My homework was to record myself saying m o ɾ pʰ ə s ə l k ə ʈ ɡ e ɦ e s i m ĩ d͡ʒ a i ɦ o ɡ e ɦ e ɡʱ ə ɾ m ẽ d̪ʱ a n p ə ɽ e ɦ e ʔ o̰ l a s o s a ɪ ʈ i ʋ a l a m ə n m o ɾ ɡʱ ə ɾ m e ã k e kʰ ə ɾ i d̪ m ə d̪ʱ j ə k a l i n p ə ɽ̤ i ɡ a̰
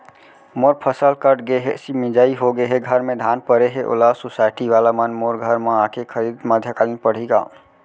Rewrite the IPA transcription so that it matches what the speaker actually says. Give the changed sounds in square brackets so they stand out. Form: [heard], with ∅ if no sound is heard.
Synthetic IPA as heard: m o ɾ pʰ ə s ə l k ə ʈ ɡ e ɦ e s i m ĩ d͡ʒ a i ɦ o ɡ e ɦ e ɡʱ ə ɾ m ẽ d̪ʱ a n p ə [ɾ] e ɦ e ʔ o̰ l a s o s a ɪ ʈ i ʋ a l a m ə n m o ɾ ɡʱ ə ɾ m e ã k e kʰ ə ɾ i d̪ m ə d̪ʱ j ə k a l i n p ə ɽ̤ i ɡ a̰